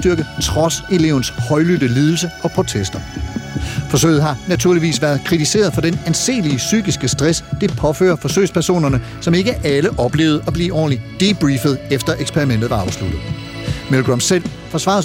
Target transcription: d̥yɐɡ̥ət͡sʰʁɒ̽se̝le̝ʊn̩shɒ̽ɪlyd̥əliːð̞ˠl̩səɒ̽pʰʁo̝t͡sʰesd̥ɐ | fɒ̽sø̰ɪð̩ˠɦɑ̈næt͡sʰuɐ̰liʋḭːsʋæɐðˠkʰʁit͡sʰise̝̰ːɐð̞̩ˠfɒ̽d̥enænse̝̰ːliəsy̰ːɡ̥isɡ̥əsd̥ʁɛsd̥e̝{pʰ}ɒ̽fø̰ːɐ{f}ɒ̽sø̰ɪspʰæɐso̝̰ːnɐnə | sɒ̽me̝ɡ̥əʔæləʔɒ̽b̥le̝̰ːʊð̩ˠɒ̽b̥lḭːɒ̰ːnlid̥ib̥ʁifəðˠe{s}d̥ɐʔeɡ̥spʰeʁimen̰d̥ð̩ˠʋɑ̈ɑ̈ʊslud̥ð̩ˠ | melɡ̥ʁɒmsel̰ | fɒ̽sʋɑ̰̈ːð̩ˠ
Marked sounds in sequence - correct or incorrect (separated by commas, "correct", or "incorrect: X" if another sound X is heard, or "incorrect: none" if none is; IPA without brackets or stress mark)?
correct, correct, incorrect: f